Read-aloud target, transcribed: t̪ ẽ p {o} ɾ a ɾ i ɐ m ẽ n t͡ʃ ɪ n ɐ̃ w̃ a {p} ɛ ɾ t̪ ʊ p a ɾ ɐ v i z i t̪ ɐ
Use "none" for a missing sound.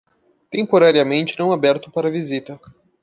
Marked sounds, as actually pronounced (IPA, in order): o, b

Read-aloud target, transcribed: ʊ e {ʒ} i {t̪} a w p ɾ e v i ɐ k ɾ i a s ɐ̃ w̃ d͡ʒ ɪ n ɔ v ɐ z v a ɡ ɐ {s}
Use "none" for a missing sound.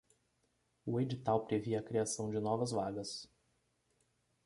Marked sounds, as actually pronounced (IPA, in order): d͡ʒ, t̪, s

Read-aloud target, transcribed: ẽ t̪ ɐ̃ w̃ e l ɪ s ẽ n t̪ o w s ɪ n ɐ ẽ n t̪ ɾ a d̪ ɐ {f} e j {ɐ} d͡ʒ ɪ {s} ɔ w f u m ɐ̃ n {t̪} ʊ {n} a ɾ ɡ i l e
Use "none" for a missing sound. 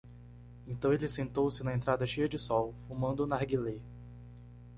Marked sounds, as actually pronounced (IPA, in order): ʃ, ɐ, s, d̪, n

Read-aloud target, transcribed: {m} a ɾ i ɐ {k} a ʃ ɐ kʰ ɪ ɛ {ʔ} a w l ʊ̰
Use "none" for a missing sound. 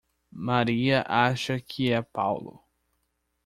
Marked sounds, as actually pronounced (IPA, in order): m, ʔ, p

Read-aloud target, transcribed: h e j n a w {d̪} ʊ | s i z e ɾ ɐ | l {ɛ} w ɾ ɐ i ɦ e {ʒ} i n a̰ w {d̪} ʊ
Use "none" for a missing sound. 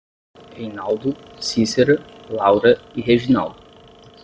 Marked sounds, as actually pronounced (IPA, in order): d̪, a, ʒ, d̪

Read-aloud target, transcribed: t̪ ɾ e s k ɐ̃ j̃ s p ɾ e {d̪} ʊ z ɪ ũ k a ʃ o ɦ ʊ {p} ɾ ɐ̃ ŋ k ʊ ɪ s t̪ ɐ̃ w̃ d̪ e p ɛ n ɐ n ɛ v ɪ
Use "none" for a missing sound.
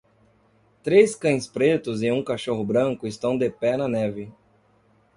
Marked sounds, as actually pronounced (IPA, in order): t̪, b

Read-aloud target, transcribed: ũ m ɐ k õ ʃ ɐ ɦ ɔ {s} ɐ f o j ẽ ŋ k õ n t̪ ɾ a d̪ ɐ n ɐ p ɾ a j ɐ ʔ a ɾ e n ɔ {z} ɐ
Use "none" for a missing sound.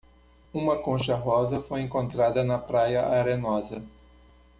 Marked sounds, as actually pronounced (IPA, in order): z, z

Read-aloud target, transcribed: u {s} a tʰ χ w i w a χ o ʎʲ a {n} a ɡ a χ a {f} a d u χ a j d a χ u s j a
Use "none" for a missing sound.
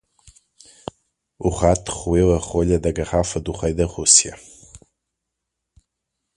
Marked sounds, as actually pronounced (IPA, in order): χ, d, f

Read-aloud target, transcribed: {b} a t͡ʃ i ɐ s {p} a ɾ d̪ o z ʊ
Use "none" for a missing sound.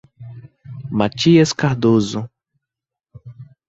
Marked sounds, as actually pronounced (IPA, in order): m, k

